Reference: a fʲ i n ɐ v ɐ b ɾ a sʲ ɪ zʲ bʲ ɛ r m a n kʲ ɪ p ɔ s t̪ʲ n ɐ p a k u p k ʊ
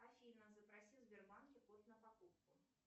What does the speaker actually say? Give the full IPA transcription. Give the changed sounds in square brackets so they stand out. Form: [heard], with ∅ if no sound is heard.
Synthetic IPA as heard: a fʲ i n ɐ [z] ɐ [p] ɾ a sʲ [i] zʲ bʲ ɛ r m a n kʲ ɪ p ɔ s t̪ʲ n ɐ p a k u p k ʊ